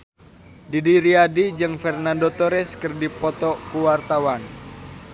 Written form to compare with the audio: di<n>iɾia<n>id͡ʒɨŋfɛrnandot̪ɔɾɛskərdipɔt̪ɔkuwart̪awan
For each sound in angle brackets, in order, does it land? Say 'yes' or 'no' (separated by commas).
no, no